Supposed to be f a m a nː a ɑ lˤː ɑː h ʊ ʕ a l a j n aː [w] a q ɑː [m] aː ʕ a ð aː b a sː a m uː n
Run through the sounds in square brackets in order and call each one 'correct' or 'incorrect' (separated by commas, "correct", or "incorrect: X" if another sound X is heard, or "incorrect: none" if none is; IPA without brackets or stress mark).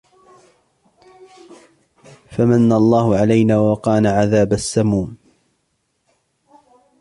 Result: correct, incorrect: n